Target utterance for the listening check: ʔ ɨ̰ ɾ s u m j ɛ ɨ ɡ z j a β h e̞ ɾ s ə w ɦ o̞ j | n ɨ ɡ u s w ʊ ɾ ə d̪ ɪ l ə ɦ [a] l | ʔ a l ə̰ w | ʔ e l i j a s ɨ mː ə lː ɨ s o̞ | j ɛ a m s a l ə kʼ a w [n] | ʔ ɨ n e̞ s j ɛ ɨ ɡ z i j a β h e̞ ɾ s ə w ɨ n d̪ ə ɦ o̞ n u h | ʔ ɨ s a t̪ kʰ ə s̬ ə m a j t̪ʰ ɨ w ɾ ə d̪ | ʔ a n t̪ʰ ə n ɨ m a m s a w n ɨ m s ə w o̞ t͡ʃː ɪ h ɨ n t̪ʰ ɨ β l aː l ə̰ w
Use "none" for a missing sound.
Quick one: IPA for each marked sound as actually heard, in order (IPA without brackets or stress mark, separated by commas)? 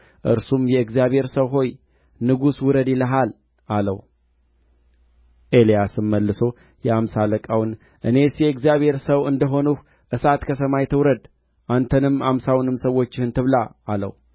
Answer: a, n